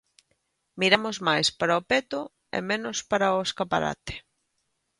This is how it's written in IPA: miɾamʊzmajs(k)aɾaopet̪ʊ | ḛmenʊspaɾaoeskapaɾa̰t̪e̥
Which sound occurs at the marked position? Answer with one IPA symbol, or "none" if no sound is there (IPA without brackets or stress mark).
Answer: p